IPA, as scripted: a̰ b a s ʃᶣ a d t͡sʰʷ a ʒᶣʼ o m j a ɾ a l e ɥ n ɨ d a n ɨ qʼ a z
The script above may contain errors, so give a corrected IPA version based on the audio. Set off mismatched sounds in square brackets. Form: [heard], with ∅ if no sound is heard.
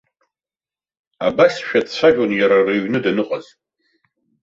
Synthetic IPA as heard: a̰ b a s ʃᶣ a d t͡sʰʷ a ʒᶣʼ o [n] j a ɾ a [r] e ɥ n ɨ d a n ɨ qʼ a z